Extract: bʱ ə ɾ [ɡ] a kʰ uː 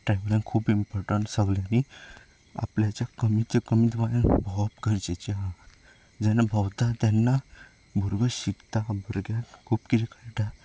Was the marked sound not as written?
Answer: no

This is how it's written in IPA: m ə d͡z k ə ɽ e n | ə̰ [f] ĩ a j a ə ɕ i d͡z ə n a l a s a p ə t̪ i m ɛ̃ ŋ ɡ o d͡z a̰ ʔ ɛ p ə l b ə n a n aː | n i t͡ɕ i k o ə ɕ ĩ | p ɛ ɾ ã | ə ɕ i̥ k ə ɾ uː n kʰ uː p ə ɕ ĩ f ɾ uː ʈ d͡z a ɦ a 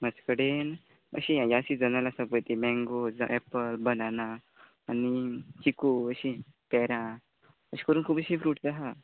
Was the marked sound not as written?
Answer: yes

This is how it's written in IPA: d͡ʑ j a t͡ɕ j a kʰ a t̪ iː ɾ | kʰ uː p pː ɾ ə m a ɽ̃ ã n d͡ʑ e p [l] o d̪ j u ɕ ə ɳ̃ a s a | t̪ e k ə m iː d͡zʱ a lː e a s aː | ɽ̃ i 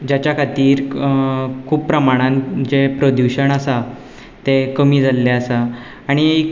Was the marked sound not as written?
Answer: yes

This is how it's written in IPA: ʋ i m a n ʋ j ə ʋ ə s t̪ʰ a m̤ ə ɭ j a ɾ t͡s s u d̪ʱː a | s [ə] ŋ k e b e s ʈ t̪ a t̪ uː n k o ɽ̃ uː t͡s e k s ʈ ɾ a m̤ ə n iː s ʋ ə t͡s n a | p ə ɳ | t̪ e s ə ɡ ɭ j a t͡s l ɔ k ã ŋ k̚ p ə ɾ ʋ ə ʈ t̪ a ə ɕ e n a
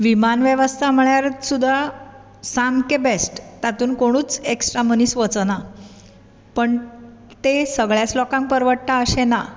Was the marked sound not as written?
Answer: yes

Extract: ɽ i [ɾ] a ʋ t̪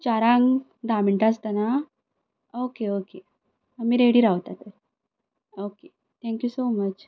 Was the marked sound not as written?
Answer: no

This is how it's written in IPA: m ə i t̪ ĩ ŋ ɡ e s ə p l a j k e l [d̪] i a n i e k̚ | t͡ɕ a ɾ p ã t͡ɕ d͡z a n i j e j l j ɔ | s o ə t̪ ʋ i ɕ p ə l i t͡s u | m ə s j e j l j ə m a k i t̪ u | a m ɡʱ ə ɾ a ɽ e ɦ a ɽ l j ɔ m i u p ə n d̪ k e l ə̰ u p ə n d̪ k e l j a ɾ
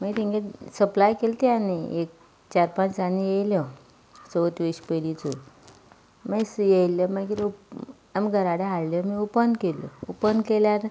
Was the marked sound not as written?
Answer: yes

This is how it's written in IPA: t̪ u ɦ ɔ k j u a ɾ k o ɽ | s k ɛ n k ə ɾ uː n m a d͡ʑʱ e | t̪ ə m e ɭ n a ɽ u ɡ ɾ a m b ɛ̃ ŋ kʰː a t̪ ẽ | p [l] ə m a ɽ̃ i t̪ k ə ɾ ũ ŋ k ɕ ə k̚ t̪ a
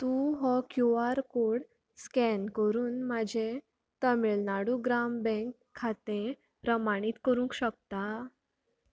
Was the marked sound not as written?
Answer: yes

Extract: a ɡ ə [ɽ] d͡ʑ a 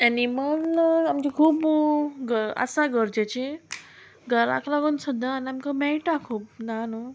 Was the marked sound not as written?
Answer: yes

